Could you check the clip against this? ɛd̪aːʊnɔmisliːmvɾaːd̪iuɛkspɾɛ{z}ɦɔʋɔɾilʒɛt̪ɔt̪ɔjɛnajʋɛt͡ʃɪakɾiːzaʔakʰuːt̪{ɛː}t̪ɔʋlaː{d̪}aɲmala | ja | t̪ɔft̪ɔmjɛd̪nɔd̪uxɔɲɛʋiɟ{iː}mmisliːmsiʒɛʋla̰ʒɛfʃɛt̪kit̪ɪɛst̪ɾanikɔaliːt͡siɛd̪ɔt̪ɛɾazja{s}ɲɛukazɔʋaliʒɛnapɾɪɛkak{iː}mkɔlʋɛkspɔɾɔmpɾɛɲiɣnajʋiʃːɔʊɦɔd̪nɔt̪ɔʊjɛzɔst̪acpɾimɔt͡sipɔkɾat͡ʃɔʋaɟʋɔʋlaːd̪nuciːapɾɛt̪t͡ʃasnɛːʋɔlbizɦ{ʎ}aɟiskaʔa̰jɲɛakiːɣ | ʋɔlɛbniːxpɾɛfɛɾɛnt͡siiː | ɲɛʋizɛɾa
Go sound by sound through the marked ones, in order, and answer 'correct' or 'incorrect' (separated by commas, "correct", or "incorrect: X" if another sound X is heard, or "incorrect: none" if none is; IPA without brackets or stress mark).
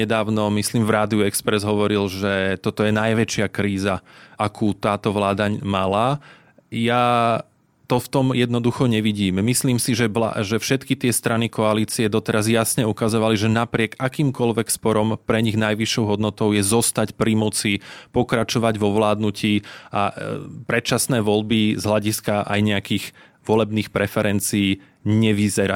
correct, incorrect: aː, correct, correct, correct, correct, incorrect: l